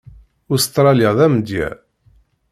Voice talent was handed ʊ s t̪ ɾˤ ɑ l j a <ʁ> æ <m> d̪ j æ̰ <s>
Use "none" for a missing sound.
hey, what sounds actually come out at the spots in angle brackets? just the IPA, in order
ð, m, none

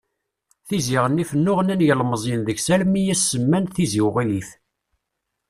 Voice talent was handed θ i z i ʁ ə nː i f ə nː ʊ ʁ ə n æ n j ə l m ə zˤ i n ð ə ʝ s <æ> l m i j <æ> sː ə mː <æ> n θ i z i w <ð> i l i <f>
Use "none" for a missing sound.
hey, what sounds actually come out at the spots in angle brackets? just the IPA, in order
æ, æ, æ, ʁ, θ

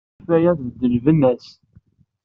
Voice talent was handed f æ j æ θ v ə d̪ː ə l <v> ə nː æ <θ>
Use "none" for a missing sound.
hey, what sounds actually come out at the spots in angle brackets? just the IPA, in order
v, s

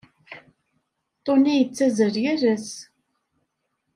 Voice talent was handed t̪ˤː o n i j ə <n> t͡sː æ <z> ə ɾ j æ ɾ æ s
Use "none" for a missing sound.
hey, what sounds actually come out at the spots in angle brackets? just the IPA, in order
none, z

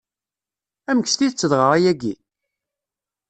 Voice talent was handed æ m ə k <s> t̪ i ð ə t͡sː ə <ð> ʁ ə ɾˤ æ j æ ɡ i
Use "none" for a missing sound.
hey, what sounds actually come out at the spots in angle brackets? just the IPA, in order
s, ð

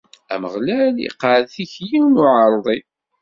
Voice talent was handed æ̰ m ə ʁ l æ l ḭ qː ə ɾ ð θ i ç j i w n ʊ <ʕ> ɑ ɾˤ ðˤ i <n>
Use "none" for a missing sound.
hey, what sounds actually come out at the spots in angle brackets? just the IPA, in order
ʕ, none

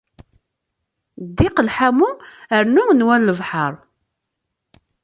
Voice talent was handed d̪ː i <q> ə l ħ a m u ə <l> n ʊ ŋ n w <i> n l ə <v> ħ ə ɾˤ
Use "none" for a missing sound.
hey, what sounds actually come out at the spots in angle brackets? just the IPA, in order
q, ɾ, æ, v

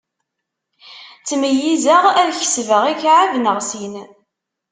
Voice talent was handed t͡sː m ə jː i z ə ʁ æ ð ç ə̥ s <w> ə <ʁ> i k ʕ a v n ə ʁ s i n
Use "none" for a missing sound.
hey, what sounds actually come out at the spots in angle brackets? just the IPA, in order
v, ʁ

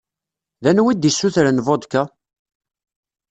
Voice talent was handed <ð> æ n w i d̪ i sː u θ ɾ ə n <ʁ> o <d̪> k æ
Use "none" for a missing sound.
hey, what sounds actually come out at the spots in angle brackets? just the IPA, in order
ð, v, d̪

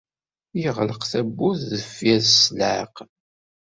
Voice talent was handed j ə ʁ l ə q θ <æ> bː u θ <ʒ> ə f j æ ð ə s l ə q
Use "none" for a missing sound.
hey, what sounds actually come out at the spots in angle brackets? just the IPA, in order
æ, ð

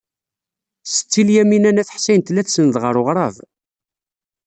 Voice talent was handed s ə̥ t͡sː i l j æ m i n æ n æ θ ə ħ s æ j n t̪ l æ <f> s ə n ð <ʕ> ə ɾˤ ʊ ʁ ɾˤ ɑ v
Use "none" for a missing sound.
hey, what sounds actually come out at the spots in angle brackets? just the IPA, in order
θ, ʁ

